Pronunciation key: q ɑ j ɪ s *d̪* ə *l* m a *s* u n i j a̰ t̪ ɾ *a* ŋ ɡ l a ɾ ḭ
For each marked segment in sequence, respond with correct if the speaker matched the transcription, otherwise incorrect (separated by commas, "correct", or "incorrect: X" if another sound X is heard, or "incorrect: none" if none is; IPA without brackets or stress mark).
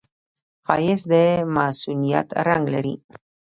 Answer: correct, incorrect: none, correct, correct